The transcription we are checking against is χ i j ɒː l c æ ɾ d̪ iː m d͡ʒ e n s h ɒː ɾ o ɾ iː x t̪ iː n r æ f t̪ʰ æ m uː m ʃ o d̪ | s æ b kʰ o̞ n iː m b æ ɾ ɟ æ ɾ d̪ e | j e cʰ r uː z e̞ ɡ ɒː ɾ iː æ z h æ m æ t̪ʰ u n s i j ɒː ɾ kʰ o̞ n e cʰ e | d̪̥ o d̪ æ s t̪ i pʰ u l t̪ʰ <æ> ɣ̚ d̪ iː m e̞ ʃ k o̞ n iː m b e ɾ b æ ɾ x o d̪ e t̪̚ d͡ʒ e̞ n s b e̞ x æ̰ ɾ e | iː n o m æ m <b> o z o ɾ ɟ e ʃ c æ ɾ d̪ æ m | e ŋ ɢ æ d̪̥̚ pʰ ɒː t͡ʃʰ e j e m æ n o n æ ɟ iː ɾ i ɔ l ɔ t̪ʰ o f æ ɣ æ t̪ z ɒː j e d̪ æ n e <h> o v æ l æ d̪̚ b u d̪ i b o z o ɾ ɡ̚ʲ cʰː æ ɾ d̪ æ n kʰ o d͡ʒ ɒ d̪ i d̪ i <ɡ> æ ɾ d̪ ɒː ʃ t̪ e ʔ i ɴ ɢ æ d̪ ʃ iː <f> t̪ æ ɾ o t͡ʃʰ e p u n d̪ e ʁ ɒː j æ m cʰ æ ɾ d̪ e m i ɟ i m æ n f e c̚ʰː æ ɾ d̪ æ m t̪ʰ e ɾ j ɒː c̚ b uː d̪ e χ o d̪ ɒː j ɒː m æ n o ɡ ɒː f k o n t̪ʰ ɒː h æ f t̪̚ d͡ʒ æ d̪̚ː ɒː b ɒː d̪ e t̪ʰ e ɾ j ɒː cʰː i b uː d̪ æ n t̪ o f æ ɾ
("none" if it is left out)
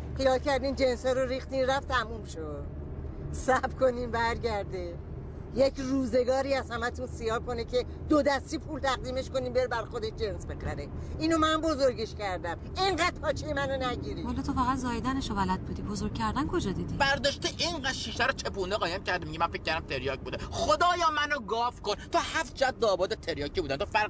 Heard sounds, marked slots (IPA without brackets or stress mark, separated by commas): æ, b, ʃ, b, ʃ